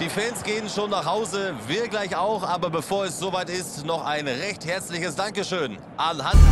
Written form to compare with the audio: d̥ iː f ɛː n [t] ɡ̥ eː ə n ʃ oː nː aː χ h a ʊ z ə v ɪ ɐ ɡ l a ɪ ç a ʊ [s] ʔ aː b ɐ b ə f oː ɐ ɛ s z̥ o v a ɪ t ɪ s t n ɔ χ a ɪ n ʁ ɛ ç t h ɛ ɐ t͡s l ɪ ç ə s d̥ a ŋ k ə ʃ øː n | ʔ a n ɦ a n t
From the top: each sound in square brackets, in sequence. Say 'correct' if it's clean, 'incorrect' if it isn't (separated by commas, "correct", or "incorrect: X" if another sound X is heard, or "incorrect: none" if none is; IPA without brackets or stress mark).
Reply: incorrect: s, incorrect: x